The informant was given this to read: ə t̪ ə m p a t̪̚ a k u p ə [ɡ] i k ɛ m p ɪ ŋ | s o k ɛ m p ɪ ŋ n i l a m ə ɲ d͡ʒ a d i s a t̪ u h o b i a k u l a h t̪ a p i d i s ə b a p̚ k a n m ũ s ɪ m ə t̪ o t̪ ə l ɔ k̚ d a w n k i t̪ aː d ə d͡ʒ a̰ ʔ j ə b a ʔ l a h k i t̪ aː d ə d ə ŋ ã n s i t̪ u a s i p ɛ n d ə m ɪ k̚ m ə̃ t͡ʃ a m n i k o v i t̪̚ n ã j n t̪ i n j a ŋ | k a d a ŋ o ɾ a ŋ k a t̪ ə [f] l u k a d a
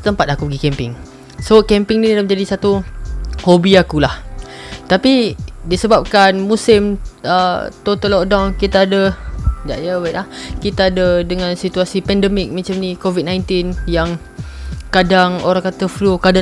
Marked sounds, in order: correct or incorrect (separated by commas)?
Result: correct, correct